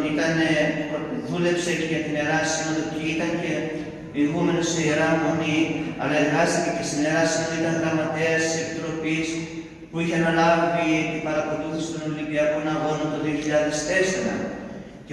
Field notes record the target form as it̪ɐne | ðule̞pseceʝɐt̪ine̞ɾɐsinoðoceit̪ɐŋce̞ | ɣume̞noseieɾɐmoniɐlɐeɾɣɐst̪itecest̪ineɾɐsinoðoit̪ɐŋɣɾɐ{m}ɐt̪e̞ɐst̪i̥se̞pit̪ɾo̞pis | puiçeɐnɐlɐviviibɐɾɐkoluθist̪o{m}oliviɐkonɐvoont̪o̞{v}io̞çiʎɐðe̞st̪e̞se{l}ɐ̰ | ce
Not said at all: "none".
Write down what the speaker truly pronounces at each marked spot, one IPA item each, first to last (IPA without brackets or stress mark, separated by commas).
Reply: m, n, ð, ɾ